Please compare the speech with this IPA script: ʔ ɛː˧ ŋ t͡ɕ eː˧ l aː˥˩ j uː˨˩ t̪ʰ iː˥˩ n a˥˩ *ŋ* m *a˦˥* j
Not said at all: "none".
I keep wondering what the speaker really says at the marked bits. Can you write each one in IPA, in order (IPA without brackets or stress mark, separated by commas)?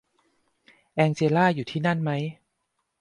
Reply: n, a˦˥